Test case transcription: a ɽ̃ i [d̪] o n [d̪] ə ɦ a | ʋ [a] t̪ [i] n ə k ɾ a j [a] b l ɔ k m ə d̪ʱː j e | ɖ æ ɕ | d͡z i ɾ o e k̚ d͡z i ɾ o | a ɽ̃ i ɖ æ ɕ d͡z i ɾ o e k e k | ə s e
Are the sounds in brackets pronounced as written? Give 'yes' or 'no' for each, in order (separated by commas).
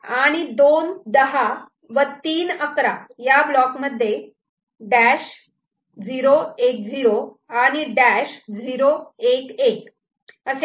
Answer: yes, yes, no, no, yes